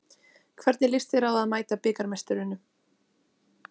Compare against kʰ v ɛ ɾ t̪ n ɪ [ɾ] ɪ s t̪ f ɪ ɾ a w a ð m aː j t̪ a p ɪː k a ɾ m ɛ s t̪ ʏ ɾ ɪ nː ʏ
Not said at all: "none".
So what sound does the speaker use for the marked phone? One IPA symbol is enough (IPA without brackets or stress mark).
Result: l